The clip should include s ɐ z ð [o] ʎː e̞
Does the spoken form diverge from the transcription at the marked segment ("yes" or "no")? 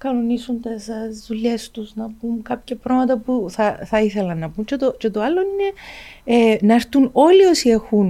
yes